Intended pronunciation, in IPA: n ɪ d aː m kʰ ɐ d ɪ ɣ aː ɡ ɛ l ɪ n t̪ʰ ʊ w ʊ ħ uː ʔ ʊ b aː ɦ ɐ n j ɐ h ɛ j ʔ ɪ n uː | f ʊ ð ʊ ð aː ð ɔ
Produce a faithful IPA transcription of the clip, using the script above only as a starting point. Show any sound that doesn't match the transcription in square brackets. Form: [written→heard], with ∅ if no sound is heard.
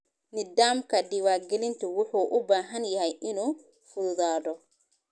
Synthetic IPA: n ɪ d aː m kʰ ɐ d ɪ [ɣ→w] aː ɡ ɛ l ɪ n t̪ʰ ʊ w ʊ ħ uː ʔ ʊ b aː ɦ ɐ n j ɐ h ɛ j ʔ ɪ n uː | f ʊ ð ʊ ð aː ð ɔ